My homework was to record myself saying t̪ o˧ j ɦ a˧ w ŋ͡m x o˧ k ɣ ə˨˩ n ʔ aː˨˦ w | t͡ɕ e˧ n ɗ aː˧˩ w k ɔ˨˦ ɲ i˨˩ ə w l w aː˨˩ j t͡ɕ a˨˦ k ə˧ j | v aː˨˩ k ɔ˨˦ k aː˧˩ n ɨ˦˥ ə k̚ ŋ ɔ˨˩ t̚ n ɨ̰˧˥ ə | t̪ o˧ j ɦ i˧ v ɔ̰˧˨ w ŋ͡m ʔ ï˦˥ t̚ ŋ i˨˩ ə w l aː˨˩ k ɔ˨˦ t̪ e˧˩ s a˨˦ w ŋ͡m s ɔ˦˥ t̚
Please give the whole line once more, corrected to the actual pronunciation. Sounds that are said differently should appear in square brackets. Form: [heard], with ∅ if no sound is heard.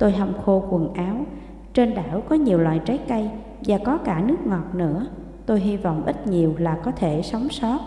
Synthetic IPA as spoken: t̪ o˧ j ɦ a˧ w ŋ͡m x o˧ k [w] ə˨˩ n ʔ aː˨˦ w | t͡ɕ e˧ n ɗ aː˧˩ w k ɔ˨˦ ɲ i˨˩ ə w l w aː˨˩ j t͡ɕ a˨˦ k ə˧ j | v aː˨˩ k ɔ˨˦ k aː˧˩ n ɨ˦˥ ə k̚ ŋ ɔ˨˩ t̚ n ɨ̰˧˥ ə | t̪ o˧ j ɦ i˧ v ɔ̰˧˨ w ŋ͡m ʔ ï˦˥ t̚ [ɲ] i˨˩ ə w l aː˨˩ k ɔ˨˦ [t̪ʰ] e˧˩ s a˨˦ w ŋ͡m s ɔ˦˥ t̚